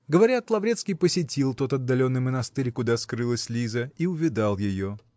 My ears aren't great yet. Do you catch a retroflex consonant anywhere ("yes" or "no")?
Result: no